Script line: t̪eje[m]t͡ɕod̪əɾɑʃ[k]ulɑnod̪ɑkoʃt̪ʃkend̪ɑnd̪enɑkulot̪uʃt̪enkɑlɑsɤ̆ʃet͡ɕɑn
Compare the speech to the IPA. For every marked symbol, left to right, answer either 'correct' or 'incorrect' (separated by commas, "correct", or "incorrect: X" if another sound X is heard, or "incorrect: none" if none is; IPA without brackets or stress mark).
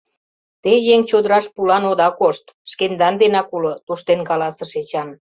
incorrect: ŋ, incorrect: p